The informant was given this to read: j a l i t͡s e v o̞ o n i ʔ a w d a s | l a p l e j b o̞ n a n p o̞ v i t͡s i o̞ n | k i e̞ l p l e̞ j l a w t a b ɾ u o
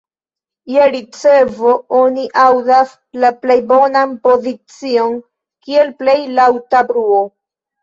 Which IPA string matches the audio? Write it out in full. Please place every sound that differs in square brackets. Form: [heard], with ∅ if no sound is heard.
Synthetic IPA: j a [ɾ] i t͡s e v o̞ o n i ʔ a w d a s | l a p l e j b o̞ n a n p o̞ [z] i t͡s i o̞ n | k i e̞ l p l e̞ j l a w t a b ɾ u o